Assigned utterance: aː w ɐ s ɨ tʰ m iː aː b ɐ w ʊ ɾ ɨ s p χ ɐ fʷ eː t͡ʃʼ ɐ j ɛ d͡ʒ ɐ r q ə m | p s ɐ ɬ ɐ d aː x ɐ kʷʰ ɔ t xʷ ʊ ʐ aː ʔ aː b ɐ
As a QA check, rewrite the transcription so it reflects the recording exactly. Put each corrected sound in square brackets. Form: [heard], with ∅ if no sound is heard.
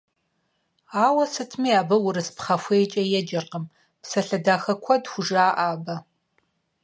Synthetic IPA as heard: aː w ɐ s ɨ tʰ m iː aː b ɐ w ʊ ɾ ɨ s p χ ɐ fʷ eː t͡ʃʼ ɐ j ɛ d͡ʒ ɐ r q ə m | p s ɐ ɬ ɐ d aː x ɐ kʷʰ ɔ [d] xʷ ʊ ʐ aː ʔ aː b ɐ